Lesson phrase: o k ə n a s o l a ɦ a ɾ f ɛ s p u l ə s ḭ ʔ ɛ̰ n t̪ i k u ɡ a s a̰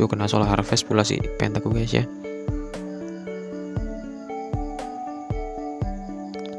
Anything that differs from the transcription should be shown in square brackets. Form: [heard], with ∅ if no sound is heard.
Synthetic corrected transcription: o k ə n a s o l a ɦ a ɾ f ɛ s p u l [a] s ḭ [p] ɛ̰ n t̪ [a] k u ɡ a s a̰